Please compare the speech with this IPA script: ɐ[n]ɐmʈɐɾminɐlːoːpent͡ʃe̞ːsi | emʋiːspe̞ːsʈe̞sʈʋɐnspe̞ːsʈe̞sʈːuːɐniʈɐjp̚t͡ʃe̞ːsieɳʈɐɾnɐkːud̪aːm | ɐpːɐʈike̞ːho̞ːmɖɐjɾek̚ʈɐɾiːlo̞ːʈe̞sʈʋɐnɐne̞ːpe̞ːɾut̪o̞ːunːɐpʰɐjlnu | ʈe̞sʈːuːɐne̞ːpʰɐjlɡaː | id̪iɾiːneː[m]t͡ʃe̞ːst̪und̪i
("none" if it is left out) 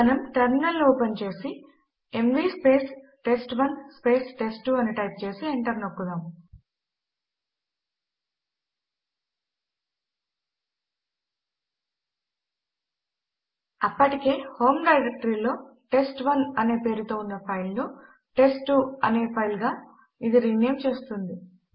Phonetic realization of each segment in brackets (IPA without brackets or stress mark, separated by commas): n, m